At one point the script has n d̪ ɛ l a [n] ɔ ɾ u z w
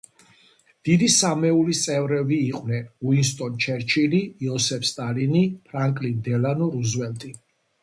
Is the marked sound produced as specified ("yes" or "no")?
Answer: yes